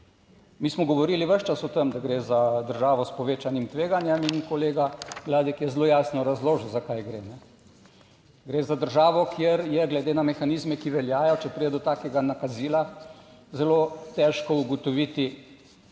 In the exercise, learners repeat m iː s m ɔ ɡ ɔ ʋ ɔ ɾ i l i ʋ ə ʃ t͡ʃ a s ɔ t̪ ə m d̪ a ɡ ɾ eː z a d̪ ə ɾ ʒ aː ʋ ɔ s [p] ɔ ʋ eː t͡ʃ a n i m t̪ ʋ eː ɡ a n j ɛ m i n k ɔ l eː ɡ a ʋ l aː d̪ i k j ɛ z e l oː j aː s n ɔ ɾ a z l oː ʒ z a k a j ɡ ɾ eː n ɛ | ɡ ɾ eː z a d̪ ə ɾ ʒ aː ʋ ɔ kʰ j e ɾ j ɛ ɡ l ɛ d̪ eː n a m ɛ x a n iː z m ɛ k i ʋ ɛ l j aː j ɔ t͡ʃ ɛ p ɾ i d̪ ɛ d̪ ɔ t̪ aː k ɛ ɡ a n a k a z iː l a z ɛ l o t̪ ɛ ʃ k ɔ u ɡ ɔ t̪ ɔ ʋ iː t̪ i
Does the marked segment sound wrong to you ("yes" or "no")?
no